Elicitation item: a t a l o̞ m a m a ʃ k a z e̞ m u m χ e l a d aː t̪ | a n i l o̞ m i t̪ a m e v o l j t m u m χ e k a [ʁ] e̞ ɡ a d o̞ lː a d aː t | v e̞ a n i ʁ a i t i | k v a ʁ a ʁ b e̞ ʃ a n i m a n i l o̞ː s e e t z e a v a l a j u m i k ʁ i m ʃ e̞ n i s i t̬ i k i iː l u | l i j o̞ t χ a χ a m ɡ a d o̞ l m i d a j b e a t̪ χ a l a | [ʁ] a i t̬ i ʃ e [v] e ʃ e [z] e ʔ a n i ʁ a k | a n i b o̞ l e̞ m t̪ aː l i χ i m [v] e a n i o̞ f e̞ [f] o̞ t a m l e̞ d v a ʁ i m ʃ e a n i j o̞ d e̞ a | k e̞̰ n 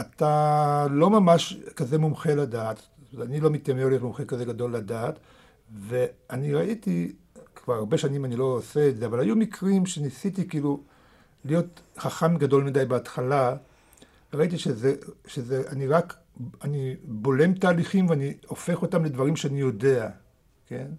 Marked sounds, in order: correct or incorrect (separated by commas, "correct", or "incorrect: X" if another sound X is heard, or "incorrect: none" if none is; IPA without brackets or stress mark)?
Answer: incorrect: z, correct, incorrect: z, correct, correct, incorrect: χ